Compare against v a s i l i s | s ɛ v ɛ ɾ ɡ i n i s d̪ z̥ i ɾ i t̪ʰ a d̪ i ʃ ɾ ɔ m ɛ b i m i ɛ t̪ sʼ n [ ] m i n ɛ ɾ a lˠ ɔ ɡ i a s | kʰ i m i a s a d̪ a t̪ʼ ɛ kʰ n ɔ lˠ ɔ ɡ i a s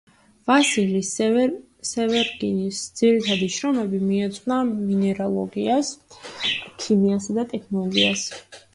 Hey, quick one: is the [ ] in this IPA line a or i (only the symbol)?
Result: a